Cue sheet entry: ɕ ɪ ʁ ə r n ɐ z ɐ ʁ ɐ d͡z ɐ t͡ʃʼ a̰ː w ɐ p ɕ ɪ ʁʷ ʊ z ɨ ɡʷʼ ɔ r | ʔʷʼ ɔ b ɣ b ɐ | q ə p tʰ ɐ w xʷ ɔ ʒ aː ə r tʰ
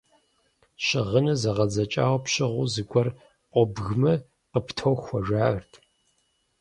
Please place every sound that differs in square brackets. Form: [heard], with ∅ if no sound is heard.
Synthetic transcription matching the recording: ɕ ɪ ʁ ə [∅] n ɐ z ɐ ʁ ɐ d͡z ɐ t͡ʃʼ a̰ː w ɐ p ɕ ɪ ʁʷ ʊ z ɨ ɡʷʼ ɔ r | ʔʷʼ ɔ b ɣ [m] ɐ | q ə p tʰ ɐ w xʷ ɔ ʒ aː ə r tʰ